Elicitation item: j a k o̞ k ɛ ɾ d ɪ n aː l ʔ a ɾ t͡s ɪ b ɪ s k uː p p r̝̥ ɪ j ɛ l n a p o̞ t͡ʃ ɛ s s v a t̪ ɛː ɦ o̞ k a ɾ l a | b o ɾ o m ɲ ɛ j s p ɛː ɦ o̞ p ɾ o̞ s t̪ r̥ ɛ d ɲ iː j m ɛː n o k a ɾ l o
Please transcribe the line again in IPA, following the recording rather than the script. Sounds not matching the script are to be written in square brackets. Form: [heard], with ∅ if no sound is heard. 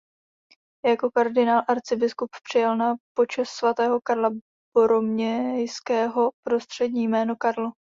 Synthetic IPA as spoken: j a k o̞ k [a] ɾ d ɪ n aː l ʔ a ɾ t͡s ɪ b ɪ s k [u] p p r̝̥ ɪ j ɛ l n a p o̞ t͡ʃ ɛ s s v a t̪ ɛː ɦ o̞ k a ɾ l a | b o ɾ o m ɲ ɛ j s [k] ɛː ɦ o̞ p ɾ o̞ s t̪ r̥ ɛ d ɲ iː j m ɛː n o k a ɾ l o